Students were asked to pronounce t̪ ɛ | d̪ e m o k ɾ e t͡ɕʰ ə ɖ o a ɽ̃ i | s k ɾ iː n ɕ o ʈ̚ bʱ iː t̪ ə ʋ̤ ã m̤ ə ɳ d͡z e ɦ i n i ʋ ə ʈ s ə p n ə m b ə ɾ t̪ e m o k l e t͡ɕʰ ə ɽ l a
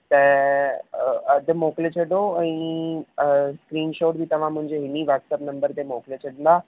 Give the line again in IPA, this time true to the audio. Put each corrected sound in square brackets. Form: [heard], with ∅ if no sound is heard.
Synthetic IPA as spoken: t̪ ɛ | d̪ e m o k [l] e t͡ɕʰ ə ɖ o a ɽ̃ i | s k ɾ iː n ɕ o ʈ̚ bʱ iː t̪ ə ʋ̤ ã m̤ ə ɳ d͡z e ɦ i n i ʋ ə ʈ s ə p n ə m b ə ɾ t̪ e m o k l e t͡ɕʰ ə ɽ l a